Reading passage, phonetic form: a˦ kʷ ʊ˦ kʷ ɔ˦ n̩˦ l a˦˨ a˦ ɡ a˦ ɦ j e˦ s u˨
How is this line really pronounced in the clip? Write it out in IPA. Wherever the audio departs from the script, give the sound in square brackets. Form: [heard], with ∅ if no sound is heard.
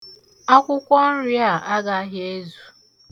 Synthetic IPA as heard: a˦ kʷ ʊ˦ kʷ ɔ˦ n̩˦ [ɾ] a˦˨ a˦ ɡ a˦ ɦ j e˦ [z] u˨